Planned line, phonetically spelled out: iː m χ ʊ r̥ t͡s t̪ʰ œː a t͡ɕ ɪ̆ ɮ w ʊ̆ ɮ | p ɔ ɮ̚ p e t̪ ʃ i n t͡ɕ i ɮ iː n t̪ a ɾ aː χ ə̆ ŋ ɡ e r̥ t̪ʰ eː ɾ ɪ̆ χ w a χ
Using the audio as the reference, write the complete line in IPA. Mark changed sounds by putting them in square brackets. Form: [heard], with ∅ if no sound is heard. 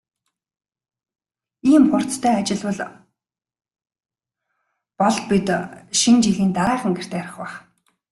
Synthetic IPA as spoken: iː m χ ʊ r̥ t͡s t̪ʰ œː a t͡ɕ ɪ̆ ɮ w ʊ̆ ɮ | p ɔ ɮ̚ p [i] t̪ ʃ i n t͡ɕ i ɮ iː n t̪ a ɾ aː χ ə̆ ŋ ɡ e r̥ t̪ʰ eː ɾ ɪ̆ χ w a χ